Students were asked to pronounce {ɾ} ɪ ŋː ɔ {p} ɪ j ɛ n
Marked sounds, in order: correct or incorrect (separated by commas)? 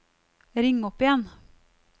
correct, correct